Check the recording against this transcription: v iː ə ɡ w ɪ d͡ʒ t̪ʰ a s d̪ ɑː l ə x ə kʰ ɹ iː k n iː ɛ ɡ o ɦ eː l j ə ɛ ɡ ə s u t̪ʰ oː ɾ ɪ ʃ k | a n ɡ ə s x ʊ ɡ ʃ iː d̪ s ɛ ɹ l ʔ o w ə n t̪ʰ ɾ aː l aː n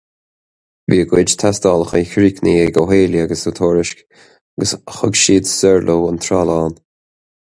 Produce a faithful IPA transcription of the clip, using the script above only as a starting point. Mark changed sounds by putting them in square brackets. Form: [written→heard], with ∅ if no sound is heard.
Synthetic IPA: v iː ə ɡ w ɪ d͡ʒ t̪ʰ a s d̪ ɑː l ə x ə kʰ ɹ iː k n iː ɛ ɡ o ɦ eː l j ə [ɛ→a] ɡ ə s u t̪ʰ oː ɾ ɪ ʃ k | a [n→∅] ɡ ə s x ʊ ɡ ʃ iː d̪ s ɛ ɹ l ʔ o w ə n t̪ʰ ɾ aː l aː n